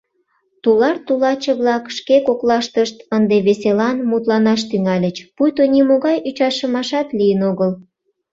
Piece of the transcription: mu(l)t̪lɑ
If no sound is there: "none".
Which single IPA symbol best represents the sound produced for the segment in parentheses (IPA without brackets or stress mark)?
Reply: none